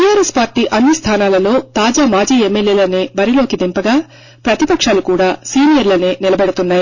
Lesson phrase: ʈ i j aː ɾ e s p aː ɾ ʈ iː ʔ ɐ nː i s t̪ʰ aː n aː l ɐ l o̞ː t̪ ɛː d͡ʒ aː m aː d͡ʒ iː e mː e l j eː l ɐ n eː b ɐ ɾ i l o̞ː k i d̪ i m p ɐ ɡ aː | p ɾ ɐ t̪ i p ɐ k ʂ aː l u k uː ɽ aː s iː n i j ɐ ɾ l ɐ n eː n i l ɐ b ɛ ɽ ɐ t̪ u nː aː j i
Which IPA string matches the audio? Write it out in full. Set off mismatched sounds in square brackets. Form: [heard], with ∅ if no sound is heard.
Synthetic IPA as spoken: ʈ i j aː ɾ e s p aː ɾ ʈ iː ʔ ɐ nː i s t̪ʰ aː n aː l ɐ l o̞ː t̪ [aː] d͡ʒ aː m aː d͡ʒ iː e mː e l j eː l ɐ n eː b ɐ ɾ i l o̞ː k i d̪ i m p ɐ ɡ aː | p ɾ ɐ t̪ i p ɐ k ʂ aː l u k uː ɽ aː s iː n i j ɐ ɾ l ɐ n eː n i l ɐ b ɛ ɽ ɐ t̪ u nː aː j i